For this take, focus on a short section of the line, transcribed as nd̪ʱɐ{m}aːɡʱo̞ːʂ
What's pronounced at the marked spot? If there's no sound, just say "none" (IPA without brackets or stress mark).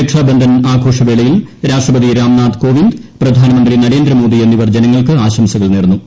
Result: n